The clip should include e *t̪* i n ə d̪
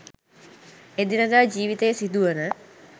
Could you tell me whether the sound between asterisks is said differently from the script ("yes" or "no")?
yes